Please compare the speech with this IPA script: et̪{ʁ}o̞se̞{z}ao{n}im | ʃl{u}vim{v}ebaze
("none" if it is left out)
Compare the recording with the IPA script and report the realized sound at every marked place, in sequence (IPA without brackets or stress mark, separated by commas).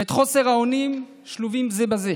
χ, ʁ, n, u, z